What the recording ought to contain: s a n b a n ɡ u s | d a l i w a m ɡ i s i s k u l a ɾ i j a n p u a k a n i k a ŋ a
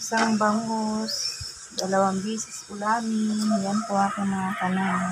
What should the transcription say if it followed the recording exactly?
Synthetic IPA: s a ŋ b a ŋ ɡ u s | d a l a w a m b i s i s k u l a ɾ i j a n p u a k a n a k a n a